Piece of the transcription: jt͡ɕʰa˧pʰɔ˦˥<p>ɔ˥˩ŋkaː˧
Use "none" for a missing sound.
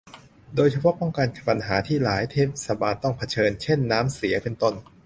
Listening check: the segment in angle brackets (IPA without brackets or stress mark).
p